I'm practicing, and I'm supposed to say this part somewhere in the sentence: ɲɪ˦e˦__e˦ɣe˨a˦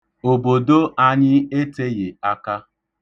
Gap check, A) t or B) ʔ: A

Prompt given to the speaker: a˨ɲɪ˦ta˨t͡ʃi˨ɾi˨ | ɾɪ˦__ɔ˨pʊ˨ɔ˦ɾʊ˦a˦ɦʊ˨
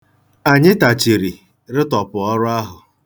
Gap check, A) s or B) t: B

